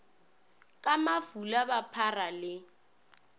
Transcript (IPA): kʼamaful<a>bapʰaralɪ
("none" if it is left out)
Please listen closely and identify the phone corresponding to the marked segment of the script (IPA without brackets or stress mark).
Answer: a